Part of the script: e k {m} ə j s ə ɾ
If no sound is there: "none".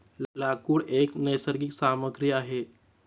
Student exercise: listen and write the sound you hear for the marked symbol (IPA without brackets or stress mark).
n